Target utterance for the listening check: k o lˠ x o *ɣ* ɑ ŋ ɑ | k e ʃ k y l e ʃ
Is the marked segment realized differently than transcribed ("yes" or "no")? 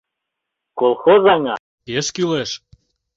yes